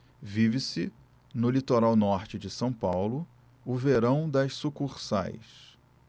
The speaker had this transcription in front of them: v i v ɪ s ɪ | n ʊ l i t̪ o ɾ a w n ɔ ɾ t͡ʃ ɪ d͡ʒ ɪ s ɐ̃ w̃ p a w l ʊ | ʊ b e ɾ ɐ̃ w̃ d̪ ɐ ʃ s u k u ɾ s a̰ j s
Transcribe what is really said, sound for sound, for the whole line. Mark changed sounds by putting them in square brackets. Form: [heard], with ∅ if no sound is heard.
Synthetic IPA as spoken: v i v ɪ s ɪ | n ʊ l i t̪ o ɾ a w n ɔ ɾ t͡ʃ ɪ d͡ʒ ɪ s ɐ̃ w̃ p a w l ʊ | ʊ [v] e ɾ ɐ̃ w̃ d̪ ɐ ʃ s u k u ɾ s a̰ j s